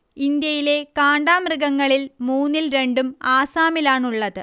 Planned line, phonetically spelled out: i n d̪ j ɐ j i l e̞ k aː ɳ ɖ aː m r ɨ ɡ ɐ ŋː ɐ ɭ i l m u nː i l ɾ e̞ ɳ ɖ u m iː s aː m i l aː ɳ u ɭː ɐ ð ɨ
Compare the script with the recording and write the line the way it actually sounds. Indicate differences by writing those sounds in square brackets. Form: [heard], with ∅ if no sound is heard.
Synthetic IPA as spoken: i n d̪ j ɐ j i l e̞ k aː ɳ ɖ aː m r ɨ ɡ ɐ ŋː ɐ ɭ i l m [uː] nː i l ɾ e̞ ɳ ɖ u m [aː] s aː m i l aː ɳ u ɭː ɐ ð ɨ

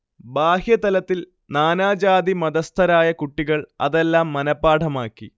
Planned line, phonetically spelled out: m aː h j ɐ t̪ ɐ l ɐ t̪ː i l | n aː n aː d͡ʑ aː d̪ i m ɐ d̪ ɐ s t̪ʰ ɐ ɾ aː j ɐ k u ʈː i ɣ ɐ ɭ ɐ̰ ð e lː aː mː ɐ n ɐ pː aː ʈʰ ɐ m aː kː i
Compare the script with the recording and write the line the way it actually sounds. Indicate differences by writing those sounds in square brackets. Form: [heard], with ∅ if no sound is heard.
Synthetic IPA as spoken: [b] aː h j ɐ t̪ ɐ l ɐ t̪ː i l | n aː n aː d͡ʑ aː d̪ i m ɐ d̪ ɐ s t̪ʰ ɐ ɾ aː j ɐ k u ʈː i ɣ ɐ ɭ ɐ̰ ð e lː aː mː ɐ n ɐ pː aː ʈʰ ɐ m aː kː i

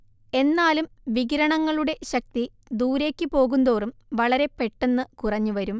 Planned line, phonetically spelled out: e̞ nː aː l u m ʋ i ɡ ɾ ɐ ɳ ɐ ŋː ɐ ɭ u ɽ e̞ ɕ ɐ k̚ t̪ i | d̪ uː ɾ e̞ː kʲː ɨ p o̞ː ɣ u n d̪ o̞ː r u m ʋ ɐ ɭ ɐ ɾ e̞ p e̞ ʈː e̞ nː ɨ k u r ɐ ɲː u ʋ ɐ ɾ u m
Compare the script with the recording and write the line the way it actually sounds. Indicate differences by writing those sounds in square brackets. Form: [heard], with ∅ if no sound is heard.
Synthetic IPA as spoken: e̞ nː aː l u m ʋ i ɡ ɾ ɐ ɳ ɐ ŋː ɐ ɭ u ɽ e̞ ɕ ɐ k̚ t̪ i | d̪ uː ɾ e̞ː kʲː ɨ p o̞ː ɣ u n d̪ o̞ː r u m ʋ ɐ ɭ ɐ ɾ e̞ p e̞ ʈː e̞ nː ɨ k u r ɐ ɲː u ʋ ɐ ɾ u m

